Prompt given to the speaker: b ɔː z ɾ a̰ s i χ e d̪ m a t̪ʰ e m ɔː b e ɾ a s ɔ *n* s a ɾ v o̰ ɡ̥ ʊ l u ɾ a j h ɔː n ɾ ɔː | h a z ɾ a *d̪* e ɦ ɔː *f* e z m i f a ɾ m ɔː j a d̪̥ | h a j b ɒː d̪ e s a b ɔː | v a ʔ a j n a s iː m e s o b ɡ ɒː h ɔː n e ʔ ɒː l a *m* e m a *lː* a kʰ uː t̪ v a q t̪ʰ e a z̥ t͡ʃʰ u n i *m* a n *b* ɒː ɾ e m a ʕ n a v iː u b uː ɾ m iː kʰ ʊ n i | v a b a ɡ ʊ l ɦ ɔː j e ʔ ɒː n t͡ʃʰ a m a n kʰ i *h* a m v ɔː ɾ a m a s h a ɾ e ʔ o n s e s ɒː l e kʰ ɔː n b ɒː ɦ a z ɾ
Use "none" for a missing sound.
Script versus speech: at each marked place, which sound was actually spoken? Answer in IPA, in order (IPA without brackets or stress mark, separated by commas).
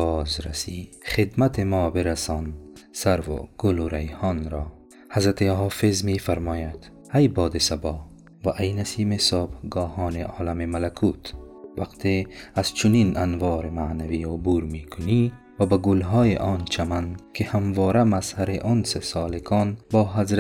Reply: n, t̪, f, m, l, n, v, h